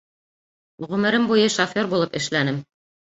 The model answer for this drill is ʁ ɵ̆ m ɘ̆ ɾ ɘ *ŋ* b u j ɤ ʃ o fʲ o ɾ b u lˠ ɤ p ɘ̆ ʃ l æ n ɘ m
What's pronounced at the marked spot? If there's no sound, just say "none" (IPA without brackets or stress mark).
m